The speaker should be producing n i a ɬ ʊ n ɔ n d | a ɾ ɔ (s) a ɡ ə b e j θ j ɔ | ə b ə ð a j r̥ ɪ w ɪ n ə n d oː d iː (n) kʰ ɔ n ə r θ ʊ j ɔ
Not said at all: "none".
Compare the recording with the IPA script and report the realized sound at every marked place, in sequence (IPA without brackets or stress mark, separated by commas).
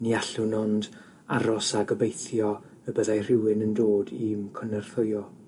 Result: s, m